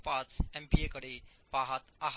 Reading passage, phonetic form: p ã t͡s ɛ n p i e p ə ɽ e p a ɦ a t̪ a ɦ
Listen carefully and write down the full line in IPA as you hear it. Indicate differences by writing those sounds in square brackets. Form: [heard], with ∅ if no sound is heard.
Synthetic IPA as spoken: p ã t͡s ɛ [m] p i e [k] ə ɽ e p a ɦ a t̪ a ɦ